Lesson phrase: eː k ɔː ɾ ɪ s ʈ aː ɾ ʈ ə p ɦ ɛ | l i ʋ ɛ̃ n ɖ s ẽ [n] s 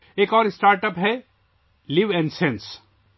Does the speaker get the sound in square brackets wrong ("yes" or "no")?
no